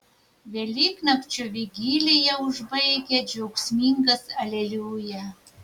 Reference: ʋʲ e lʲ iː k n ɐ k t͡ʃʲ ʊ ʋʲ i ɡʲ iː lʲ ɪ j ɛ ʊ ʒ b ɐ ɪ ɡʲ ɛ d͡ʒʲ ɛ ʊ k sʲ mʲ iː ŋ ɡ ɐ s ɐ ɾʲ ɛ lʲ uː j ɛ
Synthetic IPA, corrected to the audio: ʋʲ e lʲ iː k n ɐ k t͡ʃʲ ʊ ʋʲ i ɡʲ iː lʲ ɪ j ɛ ʊ ʒ b ɐ ɪ ɡʲ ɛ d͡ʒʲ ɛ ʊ k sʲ mʲ iː ŋ ɡ ɐ s ɐ lʲ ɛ lʲ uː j ɛ

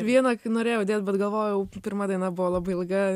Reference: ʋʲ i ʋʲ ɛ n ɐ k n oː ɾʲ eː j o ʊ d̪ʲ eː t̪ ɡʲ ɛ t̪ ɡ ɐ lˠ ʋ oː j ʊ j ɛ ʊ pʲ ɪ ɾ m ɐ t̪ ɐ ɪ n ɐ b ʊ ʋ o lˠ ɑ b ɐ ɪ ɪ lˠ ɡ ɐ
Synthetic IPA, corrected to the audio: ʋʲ i ɛ n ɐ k n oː ɾʲ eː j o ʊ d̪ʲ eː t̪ bʲ ɛ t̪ ɡ ɐ lˠ ʋ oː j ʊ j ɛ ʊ pʲ ɪ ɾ m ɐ d̪ ɐ ɪ n ɐ b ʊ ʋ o lˠ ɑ b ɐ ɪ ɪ lˠ ɡ ɐ

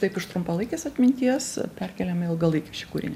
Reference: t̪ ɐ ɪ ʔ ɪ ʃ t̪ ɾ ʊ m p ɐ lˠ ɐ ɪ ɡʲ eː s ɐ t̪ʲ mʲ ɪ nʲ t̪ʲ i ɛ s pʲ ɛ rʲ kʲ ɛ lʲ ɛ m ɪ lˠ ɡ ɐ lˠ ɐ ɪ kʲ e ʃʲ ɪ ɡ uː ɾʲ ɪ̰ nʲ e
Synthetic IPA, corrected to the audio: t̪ ɐ ɪ p ɪ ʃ t̪ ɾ ʊ m p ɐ lˠ ɐ ɪ kʲ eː s ɐ t̪ʲ mʲ ɪ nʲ t̪ʲ i ɛ s pʲ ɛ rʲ kʲ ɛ lʲ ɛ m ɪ lˠ ɡ ɐ lˠ ɐ ɪ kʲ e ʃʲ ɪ k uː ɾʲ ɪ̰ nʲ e

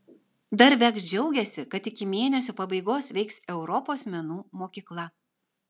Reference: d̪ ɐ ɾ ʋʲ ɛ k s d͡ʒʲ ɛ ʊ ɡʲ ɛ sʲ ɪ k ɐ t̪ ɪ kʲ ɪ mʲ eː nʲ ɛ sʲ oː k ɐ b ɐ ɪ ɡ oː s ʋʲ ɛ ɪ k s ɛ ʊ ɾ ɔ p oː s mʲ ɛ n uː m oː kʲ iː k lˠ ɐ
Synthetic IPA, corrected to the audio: d̪ ɐ ɾ ʋʲ ɛ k s d͡ʒʲ ɛ ʊ ɡʲ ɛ sʲ ɪ k ɐ t̪ ɪ kʲ ɪ mʲ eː nʲ ɛ sʲ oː p ɐ b ɐ ɪ ɡ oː s ʋʲ ɛ ɪ k s ɛ ʊ ɾ ɔ p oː s mʲ ɛ n uː m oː kʲ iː k lˠ ɐ

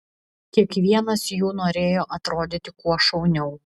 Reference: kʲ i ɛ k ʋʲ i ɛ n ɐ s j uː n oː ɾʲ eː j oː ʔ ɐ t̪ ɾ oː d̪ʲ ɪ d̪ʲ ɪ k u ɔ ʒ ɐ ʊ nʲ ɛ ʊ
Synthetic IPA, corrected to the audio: kʲ i ɛ k ʋʲ i ɛ n ɐ s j uː n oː ɾʲ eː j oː ʔ ɐ t̪ ɾ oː d̪ʲ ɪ t̪ʲ ɪ k u ɔ ʃ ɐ ʊ nʲ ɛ ʊ

